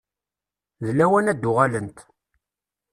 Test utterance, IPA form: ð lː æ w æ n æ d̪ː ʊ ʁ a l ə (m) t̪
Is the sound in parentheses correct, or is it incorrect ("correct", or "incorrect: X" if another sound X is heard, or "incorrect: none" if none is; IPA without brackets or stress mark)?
incorrect: n